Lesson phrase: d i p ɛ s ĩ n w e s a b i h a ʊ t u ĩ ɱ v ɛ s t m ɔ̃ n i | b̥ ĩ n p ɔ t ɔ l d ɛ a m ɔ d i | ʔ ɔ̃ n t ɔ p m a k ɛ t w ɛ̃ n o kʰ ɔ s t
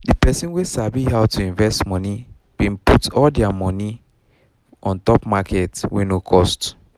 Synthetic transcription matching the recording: d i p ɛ s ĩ n w e s a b i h a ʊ t u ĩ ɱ v ɛ s t m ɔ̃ n i | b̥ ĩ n p u t ɔ l d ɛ a m ɔ n i | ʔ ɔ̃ n t ɔ p m a k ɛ t w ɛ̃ n o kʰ ɔ s t